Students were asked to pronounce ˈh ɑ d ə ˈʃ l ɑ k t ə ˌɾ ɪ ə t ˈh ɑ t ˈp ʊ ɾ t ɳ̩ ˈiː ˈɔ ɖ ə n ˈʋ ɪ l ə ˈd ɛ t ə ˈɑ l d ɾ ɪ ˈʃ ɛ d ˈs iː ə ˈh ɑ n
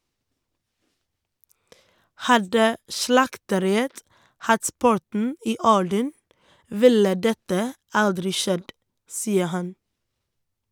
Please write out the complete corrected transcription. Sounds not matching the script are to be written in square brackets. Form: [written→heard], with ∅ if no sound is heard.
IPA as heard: ˈh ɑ d ə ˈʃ l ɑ k t ə ˌɾ ɪ ə t ˈh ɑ t ˈp ʊ ɾ t ɳ̩ ˈiː ˈɔ ɖ ə n ˈʋ ɪ l ə ˈd ɛ t ə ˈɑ l d ɾ ɪ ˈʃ ɛ d ˈs iː ə ˈh ɑ n